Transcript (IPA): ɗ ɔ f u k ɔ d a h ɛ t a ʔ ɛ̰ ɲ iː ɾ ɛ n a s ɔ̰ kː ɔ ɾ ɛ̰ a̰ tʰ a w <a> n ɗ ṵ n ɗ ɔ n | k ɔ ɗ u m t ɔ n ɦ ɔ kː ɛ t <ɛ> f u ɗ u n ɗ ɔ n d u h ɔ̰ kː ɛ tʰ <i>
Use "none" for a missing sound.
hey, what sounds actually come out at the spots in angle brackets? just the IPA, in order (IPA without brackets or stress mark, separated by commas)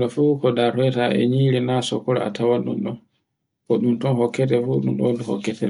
a, ɛ, ɛ